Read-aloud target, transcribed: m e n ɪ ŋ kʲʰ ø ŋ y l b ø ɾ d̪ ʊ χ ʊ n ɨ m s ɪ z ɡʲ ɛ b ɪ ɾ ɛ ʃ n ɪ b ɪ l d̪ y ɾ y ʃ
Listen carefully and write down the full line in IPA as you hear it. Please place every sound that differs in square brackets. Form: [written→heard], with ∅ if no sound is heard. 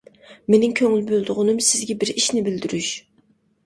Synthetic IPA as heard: m e n ɪ ŋ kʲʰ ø ŋ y l b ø [ɾ→l] d̪ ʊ [χ→ʁ] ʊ n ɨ m s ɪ z ɡʲ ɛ b ɪ ɾ [ɛ→i] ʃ n ɪ b ɪ l d̪ y ɾ y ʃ

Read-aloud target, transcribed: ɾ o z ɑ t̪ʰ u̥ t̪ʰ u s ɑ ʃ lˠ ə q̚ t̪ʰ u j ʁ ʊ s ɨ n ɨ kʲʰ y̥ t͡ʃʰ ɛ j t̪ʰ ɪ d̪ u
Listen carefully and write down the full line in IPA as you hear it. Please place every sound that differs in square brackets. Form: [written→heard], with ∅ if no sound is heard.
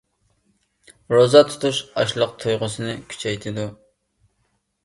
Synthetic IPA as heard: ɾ o z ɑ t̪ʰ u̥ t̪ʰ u [s→ʃ] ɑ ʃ lˠ ə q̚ t̪ʰ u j ʁ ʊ s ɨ n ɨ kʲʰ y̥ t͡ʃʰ ɛ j t̪ʰ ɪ d̪ u

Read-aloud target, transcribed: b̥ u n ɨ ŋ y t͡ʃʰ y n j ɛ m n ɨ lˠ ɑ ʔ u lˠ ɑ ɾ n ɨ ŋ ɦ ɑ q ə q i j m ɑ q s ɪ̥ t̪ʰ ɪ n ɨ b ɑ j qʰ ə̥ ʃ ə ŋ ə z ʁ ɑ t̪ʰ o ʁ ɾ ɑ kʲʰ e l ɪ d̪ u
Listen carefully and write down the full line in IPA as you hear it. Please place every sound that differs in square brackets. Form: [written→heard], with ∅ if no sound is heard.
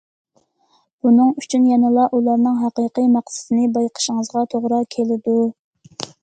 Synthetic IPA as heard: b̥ u n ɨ ŋ y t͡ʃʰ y n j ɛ [m→∅] n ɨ lˠ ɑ ʔ u lˠ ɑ ɾ n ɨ ŋ ɦ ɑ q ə q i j m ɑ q s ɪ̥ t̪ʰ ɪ n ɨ b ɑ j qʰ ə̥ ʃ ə ŋ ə z ʁ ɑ t̪ʰ o ʁ ɾ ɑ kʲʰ e l ɪ d̪ u

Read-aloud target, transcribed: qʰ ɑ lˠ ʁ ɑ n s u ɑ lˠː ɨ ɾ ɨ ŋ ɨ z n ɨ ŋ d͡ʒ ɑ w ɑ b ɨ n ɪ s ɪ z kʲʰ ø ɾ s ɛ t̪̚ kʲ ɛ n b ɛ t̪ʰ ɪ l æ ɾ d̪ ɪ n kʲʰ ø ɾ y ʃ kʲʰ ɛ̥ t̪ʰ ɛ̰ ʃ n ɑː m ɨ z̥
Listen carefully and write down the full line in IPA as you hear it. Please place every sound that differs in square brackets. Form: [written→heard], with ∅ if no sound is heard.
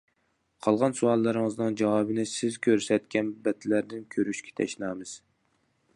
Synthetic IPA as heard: qʰ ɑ lˠ ʁ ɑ n s u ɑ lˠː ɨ ɾ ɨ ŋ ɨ z n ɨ ŋ d͡ʒ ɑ w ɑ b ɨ n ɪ s ɪ z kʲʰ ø ɾ s ɛ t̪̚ kʲ ɛ n b ɛ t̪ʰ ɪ l æ ɾ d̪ ɪ n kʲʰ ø ɾ y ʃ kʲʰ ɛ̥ t̪ʰ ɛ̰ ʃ n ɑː m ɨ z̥

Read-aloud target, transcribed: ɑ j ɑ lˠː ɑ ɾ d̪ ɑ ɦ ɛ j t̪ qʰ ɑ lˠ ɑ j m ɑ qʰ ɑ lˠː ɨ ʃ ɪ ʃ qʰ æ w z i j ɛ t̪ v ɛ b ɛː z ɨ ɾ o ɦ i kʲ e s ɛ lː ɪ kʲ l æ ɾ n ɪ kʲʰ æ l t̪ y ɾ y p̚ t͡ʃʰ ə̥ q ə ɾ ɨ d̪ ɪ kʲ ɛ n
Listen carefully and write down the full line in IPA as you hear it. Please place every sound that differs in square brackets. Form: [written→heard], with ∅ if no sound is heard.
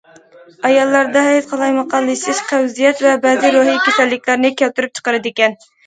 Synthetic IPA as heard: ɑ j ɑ lˠː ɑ ɾ d̪ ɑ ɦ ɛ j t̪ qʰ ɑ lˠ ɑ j m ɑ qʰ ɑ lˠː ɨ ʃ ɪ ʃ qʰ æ w z i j ɛ t̪ v ɛ b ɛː z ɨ ɾ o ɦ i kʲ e s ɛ lː ɪ kʲ l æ ɾ n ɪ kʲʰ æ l t̪ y ɾ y p̚ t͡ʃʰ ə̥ q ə ɾ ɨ d̪ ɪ kʲ ɛ n

